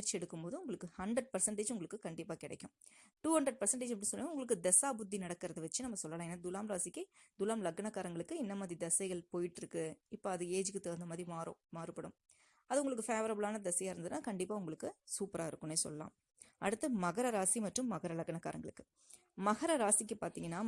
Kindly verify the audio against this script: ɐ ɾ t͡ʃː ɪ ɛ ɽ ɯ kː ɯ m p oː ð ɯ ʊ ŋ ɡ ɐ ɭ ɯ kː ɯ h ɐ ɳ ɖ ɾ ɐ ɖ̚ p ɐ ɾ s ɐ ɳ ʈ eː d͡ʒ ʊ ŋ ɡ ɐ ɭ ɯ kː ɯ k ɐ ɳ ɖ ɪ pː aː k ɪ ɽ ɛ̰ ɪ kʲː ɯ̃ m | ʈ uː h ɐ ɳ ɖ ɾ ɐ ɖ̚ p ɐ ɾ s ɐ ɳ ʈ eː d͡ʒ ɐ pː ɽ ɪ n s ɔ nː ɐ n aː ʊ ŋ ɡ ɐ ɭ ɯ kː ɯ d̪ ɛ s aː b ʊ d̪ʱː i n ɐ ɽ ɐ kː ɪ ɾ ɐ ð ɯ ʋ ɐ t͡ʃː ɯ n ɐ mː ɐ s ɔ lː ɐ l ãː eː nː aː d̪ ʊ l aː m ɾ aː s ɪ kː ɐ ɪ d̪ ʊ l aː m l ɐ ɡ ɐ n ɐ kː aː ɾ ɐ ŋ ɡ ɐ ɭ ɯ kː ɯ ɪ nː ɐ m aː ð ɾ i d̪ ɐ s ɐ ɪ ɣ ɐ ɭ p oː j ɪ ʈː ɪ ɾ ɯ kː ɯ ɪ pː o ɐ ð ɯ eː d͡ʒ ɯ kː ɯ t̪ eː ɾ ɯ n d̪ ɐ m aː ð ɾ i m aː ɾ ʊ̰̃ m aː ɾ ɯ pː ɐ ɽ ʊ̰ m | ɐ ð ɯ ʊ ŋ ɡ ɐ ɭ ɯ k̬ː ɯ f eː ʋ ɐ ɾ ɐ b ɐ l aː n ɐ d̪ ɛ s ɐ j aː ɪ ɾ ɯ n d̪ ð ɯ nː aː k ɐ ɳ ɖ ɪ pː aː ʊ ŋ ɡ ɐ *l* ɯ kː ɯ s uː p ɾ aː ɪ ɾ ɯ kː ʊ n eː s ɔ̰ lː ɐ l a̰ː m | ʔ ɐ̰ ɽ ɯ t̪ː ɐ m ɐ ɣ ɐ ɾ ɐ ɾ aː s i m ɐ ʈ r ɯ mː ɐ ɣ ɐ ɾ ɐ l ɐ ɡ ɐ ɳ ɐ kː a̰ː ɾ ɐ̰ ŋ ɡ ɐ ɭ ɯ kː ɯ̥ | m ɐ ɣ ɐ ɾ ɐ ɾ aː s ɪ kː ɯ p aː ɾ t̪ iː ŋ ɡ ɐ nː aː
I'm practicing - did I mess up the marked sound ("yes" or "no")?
yes